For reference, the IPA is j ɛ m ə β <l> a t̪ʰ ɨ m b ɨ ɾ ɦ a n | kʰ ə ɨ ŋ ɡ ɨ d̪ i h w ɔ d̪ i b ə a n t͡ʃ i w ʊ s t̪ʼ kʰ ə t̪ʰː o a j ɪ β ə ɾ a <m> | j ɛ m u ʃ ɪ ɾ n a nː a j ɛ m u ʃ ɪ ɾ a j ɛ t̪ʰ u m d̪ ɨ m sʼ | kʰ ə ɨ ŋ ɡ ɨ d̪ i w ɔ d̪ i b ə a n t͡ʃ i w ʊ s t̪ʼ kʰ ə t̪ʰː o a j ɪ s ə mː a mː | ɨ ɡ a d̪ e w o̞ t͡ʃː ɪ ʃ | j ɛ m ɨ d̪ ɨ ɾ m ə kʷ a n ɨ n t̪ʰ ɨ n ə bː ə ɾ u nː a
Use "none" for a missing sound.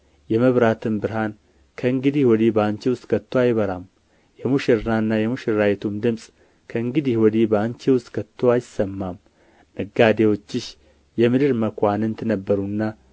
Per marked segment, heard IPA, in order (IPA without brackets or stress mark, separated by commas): ɾ, m